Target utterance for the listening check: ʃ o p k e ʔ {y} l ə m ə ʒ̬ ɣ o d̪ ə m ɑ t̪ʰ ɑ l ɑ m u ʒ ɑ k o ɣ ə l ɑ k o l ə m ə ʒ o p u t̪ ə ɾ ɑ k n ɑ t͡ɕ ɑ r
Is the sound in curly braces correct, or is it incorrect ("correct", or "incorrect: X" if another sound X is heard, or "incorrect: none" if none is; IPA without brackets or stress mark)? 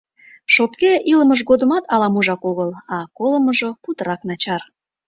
incorrect: i